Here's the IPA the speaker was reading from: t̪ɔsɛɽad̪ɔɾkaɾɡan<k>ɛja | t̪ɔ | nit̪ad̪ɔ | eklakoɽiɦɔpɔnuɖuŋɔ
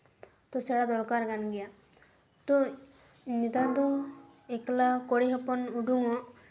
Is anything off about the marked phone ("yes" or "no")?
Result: yes